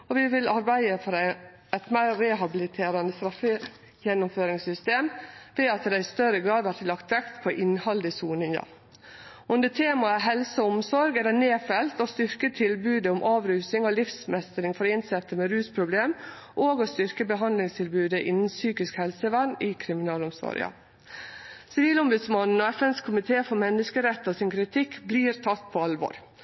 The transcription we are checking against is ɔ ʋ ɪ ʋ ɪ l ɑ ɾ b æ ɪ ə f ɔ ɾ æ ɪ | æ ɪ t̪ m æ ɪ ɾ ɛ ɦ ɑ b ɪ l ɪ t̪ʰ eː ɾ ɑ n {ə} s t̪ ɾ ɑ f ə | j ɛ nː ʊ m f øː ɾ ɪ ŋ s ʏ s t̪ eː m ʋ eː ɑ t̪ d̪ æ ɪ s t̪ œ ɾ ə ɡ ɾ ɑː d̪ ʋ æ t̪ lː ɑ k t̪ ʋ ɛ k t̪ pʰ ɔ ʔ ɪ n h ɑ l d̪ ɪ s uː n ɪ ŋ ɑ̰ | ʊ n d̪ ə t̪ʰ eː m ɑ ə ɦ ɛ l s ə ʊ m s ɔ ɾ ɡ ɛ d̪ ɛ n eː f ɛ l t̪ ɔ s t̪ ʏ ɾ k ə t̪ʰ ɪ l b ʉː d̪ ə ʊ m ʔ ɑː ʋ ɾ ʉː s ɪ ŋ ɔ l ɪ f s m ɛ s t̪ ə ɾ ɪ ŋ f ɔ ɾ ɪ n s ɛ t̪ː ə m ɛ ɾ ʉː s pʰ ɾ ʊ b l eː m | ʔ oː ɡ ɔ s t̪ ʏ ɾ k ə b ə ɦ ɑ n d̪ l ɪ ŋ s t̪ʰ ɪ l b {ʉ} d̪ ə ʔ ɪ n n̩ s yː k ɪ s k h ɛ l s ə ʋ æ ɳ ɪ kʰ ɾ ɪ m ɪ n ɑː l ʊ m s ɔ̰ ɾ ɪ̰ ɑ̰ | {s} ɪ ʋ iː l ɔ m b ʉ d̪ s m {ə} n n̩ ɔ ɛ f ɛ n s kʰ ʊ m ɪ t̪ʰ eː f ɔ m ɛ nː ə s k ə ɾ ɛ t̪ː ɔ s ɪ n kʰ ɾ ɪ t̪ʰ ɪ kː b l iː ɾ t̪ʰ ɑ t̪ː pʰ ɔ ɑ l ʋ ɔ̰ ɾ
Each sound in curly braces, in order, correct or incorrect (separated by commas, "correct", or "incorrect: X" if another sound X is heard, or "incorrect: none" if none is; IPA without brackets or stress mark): correct, incorrect: ʉː, correct, incorrect: ɑ